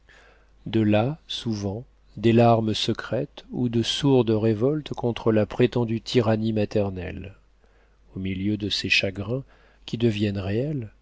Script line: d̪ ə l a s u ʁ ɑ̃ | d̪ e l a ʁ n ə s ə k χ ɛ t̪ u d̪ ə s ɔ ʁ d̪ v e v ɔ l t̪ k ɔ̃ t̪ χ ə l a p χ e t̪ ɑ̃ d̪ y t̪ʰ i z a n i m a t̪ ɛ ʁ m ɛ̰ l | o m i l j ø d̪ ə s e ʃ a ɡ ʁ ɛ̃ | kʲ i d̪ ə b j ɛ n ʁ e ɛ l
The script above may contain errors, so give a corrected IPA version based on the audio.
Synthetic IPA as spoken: d̪ ə l a s u v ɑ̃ | d̪ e l a ʁ m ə s ə k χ ɛ t̪ u d̪ ə s u ʁ d̪ ʁ e v ɔ l t̪ k ɔ̃ t̪ χ ə l a p χ e t̪ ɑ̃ d̪ y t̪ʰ i ʁ a n i m a t̪ ɛ ʁ n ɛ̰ l | o m i l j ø d̪ ə s e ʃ a ɡ ʁ ɛ̃ | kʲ i d̪ ə v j ɛ n ʁ e ɛ l